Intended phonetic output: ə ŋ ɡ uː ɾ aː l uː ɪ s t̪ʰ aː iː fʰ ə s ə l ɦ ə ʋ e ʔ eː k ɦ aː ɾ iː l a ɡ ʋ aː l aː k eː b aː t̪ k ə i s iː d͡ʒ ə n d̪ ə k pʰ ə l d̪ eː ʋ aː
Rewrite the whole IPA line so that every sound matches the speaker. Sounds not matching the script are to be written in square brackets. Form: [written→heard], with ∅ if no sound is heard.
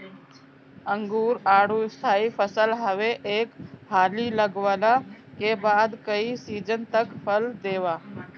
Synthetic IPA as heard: ə ŋ ɡ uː ɾ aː [l→ɽ] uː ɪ s t̪ʰ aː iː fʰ ə s ə l ɦ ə ʋ e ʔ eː k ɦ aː [ɾ→l] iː l [a→ə] ɡ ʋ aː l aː k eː b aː [t̪→d̪] k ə i s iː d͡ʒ ə n [d̪→t̪] ə k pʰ ə l d̪ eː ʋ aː